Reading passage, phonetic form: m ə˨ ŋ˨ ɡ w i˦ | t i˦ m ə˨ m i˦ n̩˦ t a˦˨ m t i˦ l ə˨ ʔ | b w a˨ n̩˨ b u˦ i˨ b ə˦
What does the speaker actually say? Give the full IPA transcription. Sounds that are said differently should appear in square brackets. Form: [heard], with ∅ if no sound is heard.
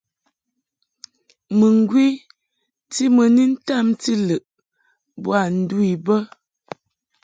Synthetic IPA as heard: m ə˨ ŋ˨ ɡ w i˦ | t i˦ m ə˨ [n] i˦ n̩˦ t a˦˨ m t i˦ l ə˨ ʔ | b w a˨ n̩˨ [d] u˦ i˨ b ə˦